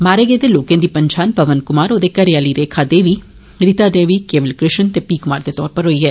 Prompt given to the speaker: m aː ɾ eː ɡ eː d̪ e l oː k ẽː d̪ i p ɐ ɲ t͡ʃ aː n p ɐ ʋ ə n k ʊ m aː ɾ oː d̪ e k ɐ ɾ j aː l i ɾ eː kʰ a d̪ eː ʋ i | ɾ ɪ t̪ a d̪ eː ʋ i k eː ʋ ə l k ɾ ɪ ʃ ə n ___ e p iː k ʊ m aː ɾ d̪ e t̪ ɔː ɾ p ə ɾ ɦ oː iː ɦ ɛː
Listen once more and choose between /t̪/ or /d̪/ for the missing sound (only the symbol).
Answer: t̪